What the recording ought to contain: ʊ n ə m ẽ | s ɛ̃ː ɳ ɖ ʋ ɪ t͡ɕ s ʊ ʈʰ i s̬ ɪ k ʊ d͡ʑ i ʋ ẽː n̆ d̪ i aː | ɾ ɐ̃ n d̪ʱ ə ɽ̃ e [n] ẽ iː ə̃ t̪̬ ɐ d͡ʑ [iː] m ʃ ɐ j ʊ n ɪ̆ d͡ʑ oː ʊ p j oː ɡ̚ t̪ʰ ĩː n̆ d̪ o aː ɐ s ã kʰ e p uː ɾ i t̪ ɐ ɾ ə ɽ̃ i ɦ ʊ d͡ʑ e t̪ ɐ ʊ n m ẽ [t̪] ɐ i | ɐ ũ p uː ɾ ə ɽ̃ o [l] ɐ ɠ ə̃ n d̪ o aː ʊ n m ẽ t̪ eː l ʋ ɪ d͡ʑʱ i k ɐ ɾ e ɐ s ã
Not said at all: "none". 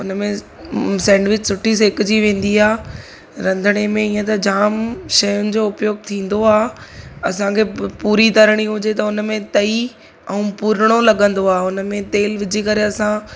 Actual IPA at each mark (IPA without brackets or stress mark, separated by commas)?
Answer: m, aː, t̪, l